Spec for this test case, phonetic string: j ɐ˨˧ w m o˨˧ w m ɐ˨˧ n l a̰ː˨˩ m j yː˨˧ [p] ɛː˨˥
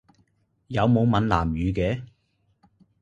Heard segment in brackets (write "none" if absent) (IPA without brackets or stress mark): k